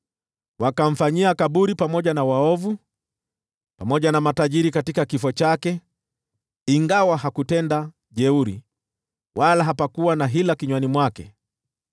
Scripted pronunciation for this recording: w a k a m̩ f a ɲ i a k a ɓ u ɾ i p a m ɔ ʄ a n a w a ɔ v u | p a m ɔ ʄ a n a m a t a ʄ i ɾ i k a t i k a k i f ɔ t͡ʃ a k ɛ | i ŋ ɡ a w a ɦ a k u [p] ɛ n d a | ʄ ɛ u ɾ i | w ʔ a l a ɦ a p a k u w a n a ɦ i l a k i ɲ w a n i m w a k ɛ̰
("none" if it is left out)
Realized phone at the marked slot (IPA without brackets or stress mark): t